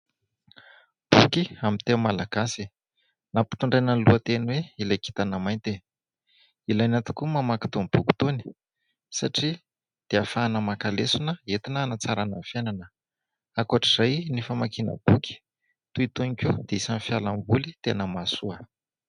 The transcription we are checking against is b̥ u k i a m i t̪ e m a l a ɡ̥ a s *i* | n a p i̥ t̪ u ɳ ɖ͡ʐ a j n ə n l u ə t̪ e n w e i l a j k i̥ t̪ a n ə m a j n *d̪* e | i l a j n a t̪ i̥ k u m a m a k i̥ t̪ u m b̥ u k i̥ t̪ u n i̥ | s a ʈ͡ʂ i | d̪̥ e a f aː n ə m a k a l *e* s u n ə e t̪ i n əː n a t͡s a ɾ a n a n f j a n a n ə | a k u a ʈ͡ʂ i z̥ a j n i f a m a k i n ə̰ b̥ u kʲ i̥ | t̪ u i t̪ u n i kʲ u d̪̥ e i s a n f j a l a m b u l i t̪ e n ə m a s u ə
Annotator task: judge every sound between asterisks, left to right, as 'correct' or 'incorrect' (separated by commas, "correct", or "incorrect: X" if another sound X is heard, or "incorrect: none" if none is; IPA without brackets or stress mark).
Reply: correct, incorrect: t̪, correct